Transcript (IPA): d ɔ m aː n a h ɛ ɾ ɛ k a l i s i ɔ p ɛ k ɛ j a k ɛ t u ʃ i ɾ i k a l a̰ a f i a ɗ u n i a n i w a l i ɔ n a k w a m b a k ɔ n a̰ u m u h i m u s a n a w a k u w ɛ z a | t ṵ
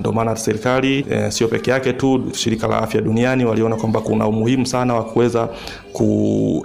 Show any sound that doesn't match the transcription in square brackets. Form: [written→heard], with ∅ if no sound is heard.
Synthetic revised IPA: d ɔ m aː n a [h→s] ɛ ɾ [ɛ→i] k a l i s i ɔ p ɛ k ɛ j a k ɛ t u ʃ i ɾ i k a l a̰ a f [i→j] a ɗ u n i a n i w a l i ɔ n a k w a m b a k [ɔ→u] n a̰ u m u h i m u s a n a w a k u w ɛ z a | [t→k] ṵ